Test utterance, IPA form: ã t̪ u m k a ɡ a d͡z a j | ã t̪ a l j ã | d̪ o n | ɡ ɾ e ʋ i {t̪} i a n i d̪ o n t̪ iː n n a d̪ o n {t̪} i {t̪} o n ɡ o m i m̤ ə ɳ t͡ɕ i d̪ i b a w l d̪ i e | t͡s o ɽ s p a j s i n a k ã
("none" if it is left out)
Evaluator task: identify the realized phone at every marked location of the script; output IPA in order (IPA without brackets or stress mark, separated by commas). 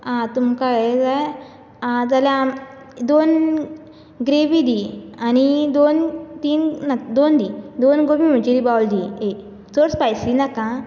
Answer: d̪, d̪, d̪